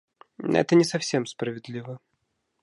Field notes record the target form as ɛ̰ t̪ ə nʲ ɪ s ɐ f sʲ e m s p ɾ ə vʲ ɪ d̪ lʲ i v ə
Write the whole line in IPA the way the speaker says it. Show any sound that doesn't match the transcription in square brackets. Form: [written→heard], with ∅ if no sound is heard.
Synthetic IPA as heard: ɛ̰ t̪ ə nʲ ɪ s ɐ f sʲ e m s p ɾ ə vʲ ɪ d̪ lʲ i v ə